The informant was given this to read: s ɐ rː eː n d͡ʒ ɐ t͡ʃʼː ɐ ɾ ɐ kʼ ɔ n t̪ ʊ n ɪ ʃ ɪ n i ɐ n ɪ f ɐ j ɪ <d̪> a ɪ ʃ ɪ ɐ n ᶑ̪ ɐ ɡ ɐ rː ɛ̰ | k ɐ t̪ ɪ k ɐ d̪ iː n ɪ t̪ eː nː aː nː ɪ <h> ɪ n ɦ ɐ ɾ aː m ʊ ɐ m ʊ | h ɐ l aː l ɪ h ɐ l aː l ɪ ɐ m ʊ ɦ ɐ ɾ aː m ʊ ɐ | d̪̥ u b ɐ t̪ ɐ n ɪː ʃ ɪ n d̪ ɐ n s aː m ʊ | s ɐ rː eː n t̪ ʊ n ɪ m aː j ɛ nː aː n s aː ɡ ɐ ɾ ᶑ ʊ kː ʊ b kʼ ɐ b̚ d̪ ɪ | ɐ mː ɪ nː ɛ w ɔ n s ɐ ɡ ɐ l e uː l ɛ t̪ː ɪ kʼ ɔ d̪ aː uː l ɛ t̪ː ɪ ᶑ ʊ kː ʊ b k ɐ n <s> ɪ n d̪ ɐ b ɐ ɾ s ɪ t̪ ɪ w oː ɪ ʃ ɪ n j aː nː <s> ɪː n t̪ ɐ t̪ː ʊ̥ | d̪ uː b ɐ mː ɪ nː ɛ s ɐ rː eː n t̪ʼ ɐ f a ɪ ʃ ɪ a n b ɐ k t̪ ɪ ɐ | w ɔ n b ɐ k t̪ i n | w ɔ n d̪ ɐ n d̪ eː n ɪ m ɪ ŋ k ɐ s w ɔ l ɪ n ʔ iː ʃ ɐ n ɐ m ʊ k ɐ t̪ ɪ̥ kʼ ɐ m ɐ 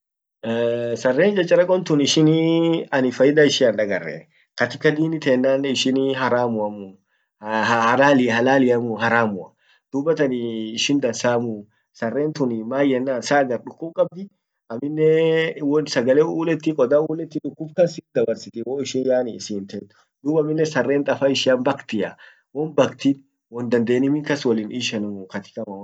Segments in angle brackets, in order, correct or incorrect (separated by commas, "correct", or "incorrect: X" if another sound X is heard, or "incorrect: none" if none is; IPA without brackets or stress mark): correct, incorrect: ʃ, correct, correct